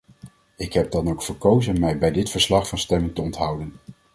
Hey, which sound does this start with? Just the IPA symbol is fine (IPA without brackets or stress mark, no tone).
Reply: ɪ